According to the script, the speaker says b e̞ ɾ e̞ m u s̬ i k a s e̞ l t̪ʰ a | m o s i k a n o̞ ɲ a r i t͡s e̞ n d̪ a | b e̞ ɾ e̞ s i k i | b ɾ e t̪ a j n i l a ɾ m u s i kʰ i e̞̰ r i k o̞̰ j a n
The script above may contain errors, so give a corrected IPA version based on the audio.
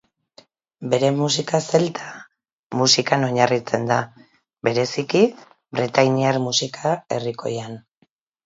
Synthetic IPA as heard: b e̞ ɾ e̞ m u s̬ i k a s e̞ l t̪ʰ a | m u s i k a n o̞ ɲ a r i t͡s e̞ n d̪ a | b e̞ ɾ e̞ s i k i | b ɾ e t̪ a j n i a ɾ m u s i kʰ a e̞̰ r i k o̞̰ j a n